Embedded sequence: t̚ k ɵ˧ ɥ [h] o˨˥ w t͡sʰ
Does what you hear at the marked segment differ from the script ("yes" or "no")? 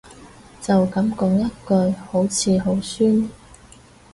no